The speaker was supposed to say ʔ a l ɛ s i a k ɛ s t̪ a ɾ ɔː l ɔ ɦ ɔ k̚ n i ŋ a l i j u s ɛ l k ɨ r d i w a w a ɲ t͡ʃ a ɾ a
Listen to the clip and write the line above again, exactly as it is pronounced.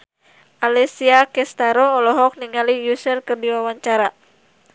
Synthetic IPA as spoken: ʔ a l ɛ s i a k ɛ s t̪ a ɾ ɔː l ɔ ɦ ɔ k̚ n i ŋ a l i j u s ɛ l k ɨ r d i w a w a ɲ t͡ʃ a ɾ a